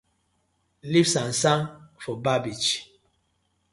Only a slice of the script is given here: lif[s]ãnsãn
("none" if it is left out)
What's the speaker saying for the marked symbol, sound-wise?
s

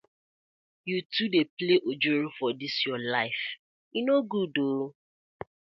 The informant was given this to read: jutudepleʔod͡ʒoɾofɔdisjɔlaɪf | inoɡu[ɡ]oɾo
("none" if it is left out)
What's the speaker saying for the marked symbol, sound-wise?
d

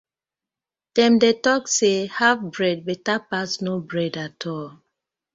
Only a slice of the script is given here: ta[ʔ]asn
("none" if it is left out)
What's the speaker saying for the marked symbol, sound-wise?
p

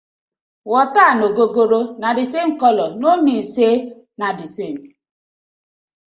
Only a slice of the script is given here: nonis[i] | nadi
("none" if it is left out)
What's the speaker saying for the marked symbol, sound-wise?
e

